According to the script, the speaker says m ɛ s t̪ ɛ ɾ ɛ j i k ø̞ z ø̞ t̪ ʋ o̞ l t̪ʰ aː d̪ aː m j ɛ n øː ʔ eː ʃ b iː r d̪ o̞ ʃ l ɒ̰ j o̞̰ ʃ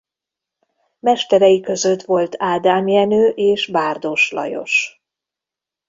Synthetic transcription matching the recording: m ɛ ʃ t̪ ɛ ɾ ɛ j i k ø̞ z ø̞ t̪ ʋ o̞ l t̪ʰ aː d̪ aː m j ɛ n øː ʔ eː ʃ b aː r d̪ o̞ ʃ l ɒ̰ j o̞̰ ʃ